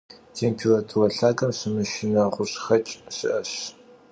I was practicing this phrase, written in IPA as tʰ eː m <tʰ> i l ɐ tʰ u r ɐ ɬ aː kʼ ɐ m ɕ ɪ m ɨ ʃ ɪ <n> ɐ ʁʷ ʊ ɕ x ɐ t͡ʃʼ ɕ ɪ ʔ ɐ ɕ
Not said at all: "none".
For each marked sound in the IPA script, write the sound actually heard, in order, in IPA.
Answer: pʰ, n

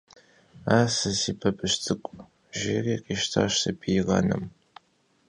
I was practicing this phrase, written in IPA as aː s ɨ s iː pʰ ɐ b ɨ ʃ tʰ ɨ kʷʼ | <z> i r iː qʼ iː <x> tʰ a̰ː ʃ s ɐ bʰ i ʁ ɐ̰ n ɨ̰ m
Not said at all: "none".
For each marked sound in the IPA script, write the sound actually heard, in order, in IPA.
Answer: ʒ, ʃ

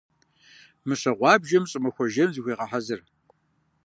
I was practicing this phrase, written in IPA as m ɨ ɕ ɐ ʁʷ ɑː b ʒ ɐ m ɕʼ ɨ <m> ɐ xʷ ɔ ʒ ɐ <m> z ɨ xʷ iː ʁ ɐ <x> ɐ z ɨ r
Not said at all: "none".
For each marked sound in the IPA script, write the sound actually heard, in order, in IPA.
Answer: m, m, ħ

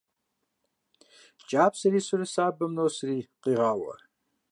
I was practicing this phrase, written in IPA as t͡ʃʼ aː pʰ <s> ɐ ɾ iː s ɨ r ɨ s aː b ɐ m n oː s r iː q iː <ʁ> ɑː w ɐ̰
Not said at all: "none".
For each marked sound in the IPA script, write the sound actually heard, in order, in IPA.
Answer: s, ʁ

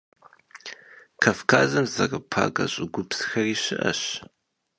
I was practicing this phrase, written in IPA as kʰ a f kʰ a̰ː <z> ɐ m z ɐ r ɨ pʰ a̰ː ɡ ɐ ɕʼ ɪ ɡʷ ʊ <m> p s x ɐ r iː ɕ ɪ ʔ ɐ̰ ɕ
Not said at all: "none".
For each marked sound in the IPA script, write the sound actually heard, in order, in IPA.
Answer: z, none

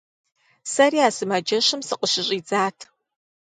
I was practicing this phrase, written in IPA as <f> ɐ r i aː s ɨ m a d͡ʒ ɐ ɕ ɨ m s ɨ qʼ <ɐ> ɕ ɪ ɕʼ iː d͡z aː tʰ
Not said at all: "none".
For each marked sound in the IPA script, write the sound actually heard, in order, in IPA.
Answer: s, ə

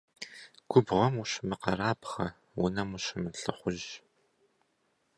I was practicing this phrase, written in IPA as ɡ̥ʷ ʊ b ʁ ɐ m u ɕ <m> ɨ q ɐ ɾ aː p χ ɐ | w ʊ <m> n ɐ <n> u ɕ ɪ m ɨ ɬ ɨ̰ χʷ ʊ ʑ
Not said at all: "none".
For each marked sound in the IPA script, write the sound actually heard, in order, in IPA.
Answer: m, none, m

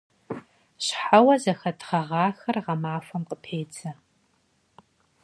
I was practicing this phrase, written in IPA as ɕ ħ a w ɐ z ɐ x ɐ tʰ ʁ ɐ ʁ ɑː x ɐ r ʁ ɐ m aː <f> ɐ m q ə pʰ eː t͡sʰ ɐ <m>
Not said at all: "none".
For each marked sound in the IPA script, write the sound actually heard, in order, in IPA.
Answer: f, none

